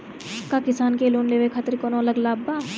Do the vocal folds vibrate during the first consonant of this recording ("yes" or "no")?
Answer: no